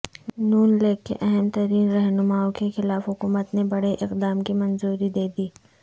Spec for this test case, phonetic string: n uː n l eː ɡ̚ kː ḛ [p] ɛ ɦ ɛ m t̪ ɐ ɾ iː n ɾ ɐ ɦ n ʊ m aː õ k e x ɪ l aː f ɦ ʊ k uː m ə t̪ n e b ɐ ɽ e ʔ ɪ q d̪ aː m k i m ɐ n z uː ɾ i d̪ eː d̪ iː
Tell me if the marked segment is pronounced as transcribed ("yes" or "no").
no